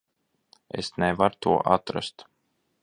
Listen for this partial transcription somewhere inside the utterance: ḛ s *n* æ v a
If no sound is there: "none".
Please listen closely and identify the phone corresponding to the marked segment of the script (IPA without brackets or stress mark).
n